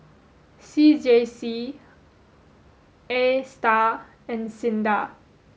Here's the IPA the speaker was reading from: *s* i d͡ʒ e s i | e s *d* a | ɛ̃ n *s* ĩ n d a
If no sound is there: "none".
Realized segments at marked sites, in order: s, t, s

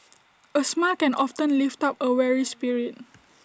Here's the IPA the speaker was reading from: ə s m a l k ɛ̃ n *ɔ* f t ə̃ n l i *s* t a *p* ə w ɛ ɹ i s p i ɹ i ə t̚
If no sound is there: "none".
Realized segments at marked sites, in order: ɔ, f, p

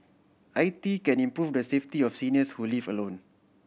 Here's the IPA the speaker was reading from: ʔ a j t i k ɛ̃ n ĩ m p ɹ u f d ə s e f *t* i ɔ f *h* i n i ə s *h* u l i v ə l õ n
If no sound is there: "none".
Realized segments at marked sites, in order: t, s, h

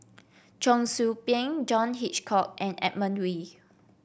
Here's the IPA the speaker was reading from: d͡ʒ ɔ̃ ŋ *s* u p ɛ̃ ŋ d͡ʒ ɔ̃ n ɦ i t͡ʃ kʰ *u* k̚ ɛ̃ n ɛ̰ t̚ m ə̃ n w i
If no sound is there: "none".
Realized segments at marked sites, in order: s, ɔ

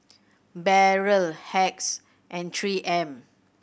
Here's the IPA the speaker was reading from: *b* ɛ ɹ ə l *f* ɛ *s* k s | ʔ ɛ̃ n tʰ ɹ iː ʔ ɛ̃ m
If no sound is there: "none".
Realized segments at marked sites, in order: b, h, none

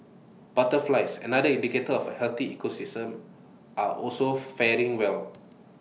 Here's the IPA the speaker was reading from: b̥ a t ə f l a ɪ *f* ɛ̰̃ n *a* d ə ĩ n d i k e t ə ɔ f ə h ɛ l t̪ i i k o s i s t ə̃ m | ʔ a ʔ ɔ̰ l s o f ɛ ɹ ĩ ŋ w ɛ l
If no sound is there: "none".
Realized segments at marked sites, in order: s, a

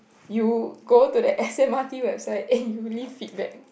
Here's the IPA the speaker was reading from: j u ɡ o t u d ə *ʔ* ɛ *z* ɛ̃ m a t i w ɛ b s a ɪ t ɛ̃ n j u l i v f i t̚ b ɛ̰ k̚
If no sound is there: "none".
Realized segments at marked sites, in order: ʔ, s

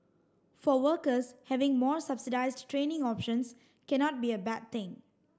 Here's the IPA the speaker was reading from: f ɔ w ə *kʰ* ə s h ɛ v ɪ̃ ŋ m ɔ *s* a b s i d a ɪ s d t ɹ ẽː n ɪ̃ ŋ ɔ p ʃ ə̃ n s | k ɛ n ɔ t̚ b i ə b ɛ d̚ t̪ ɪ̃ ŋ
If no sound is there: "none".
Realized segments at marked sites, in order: k, s

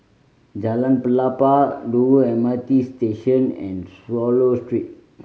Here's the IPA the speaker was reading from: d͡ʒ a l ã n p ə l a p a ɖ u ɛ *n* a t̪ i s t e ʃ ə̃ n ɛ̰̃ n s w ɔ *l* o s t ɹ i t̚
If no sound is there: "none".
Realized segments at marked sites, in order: m, l

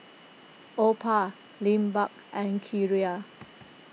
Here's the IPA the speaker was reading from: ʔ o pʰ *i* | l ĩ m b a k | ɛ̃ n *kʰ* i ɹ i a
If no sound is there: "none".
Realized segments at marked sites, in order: a, kʰ

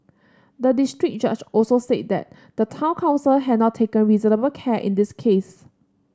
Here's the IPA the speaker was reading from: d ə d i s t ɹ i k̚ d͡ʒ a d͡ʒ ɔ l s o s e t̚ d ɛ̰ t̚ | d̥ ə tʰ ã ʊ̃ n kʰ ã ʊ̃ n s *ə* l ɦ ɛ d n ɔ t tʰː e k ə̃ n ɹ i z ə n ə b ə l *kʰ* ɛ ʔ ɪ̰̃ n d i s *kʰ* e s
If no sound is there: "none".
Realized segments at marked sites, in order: ə, kʰ, kʰ

